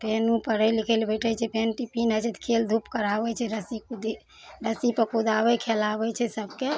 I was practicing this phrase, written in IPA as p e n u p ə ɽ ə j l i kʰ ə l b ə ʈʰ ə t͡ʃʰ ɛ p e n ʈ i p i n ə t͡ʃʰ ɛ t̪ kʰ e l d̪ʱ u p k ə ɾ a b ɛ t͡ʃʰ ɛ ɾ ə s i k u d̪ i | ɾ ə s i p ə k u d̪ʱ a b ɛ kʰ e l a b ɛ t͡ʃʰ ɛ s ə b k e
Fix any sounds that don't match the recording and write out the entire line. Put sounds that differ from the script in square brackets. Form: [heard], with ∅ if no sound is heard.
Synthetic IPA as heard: p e n u p ə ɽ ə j l i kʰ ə l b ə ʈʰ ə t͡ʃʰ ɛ p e n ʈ i p i n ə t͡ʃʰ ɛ t̪ kʰ e l d̪ʱ u p k ə ɾ a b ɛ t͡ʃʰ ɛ ɾ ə s i k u d̪ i | ɾ ə s i p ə k u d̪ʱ a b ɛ kʰ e l a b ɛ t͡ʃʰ ɛ s ə b k e